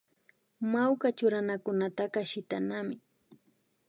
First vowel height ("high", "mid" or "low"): low